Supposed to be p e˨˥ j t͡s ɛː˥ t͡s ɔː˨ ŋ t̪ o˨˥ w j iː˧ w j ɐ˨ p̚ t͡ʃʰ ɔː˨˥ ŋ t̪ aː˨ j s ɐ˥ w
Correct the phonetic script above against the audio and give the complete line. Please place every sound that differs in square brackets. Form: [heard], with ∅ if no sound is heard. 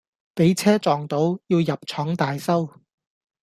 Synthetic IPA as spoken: p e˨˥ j [t͡sʰ] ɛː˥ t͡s ɔː˨ ŋ t̪ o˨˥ w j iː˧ w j ɐ˨ p̚ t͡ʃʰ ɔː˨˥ ŋ t̪ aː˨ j s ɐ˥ w